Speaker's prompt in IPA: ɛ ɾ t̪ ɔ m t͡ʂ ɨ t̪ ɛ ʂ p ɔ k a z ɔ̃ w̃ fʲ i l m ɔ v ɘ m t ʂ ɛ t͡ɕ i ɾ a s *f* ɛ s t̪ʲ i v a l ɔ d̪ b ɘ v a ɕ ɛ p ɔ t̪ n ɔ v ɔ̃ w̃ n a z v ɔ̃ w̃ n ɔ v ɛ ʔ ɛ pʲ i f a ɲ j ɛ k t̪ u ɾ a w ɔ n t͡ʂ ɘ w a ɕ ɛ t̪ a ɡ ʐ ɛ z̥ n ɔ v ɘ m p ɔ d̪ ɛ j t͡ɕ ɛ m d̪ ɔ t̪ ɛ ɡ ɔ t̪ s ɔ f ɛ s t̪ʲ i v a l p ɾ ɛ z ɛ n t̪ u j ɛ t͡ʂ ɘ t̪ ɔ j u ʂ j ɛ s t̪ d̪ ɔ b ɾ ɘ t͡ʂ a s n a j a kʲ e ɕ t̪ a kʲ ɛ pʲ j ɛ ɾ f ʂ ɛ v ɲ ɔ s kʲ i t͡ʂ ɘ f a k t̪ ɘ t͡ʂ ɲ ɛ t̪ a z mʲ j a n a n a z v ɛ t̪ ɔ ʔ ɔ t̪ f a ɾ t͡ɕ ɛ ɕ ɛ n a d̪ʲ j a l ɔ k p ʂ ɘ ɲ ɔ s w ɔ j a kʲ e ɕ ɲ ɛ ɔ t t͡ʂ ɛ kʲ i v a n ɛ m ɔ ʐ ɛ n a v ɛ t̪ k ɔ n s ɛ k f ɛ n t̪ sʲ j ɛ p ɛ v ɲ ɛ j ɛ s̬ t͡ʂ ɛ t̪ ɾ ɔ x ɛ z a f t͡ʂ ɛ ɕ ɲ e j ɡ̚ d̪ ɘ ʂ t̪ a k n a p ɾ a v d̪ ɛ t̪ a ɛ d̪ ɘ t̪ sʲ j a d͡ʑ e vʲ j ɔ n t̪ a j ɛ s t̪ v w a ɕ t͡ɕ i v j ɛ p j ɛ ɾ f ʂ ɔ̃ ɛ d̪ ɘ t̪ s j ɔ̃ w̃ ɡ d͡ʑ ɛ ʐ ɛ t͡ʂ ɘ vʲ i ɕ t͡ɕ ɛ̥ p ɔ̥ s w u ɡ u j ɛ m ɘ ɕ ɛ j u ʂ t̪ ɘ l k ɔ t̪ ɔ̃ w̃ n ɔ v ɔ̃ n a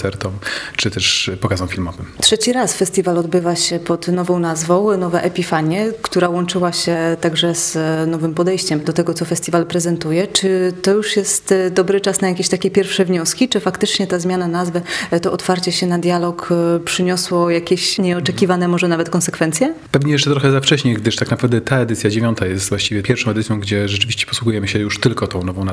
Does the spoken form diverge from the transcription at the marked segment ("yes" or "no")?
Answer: no